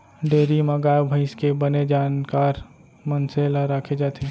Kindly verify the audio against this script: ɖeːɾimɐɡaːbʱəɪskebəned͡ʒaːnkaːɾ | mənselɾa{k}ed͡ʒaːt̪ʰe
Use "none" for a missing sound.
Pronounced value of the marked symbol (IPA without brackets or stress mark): kʰ